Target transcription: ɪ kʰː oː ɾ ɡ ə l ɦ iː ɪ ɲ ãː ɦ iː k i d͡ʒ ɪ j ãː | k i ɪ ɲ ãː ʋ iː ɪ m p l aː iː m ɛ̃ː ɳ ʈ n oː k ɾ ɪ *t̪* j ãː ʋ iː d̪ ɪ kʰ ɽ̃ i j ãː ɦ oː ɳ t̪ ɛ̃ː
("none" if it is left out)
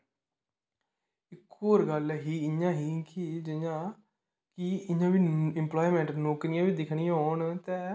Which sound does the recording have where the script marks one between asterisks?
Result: none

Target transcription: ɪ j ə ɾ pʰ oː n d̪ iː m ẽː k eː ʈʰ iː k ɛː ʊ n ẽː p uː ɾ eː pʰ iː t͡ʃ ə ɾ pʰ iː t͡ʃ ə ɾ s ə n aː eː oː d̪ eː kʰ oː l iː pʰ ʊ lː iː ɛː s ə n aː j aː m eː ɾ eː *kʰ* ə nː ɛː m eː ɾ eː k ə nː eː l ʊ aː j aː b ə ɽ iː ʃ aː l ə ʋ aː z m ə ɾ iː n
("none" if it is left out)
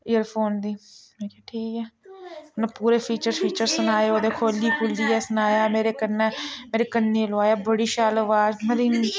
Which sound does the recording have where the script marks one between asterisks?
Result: k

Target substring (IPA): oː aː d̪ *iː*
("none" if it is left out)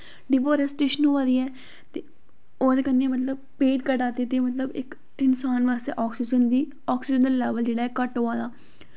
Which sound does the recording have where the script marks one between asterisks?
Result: aː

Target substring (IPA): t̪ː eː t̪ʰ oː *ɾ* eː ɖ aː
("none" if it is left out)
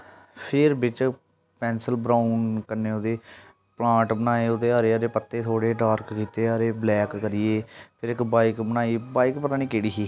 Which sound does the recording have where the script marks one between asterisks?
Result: ɽ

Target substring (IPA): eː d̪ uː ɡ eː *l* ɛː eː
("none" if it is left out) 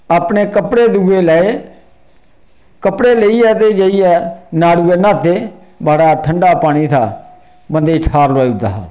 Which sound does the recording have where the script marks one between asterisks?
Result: l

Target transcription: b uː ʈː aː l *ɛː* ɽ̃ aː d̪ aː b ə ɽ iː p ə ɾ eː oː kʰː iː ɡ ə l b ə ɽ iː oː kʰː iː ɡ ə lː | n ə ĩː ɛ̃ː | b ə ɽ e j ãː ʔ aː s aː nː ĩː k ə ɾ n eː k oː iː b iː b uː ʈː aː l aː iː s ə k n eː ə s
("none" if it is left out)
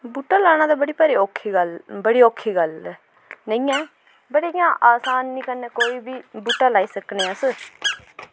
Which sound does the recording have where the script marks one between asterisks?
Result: aː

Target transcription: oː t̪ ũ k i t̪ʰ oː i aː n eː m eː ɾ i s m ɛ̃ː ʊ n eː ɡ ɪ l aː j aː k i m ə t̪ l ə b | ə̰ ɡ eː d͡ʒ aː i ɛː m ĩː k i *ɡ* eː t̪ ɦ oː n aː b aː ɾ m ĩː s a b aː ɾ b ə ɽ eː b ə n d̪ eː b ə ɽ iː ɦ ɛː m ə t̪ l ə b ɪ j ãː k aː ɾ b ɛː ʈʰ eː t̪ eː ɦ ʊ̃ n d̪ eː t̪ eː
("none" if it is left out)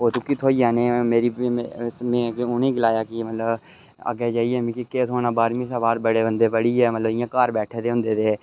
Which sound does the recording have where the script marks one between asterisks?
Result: k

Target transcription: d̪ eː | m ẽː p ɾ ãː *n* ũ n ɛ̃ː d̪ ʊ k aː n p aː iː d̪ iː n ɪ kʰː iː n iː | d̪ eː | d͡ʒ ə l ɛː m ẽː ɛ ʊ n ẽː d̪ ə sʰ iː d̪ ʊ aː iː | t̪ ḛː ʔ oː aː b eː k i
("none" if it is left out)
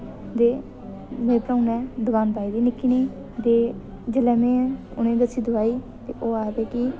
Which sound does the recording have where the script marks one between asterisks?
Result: none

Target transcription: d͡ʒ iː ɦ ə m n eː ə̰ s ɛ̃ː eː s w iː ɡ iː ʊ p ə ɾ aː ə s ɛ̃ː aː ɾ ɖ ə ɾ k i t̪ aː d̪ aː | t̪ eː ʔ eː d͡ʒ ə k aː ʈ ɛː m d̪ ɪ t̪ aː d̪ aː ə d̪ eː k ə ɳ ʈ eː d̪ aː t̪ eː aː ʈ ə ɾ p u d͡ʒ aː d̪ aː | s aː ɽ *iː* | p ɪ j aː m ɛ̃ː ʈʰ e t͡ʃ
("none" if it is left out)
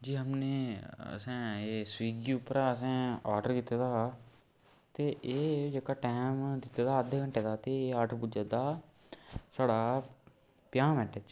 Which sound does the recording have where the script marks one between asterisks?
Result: aː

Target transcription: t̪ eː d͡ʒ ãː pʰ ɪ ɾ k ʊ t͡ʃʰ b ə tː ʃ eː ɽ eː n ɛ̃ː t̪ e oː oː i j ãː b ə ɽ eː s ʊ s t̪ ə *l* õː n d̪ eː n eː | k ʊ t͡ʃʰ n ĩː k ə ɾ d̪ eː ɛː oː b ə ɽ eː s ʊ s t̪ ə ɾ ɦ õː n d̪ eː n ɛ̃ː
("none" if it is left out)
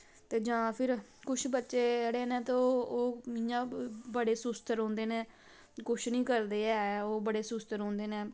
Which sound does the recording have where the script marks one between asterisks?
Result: ɾ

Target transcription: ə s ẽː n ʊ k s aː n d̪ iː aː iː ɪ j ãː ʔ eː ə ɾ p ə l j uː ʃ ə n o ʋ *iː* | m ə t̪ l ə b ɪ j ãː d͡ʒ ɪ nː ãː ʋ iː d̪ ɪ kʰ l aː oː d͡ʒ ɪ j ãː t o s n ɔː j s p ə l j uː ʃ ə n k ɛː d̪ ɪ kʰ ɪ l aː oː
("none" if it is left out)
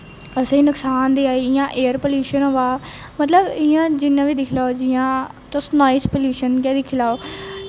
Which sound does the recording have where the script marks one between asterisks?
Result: aː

